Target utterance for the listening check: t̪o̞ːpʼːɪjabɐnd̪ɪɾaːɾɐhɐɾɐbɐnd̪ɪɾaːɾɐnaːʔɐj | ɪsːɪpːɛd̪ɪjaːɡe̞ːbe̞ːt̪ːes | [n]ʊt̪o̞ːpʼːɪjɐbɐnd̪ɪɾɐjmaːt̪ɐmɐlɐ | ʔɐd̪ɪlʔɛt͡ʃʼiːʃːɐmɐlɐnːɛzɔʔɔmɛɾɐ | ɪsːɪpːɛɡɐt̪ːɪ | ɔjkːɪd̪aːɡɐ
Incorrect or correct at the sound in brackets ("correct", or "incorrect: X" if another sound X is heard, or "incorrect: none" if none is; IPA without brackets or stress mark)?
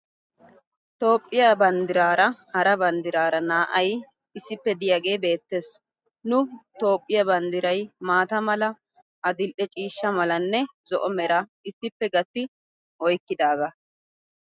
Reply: correct